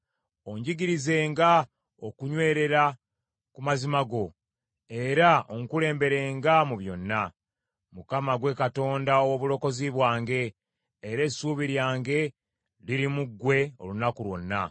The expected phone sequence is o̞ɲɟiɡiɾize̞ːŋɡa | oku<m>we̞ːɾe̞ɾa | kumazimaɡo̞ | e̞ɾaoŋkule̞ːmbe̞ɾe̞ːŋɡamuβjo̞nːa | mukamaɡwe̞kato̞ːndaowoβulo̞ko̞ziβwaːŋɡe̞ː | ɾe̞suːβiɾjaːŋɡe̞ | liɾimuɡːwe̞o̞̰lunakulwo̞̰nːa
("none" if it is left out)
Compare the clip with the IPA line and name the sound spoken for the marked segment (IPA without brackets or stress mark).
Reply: ɲ